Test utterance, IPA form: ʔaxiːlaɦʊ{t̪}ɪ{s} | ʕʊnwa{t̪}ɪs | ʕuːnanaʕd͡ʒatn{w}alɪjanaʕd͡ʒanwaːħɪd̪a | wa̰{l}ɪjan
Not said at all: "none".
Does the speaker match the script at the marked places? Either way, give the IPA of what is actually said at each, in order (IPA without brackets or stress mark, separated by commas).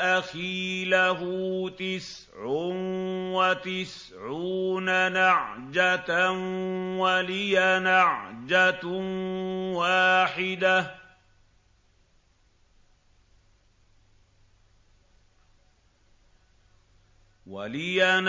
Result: t̪, s, t̪, w, l